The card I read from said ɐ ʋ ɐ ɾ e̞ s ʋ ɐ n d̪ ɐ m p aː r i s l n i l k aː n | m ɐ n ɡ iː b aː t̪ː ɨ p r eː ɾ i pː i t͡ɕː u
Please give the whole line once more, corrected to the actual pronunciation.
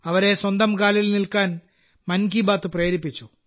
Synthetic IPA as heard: ɐ ʋ ɐ ɾ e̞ s w ɐ n d̪ ɐ m k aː l i l n i l k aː n | m ɐ n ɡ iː b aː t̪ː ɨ p r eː ɾ i pː i t͡ɕː u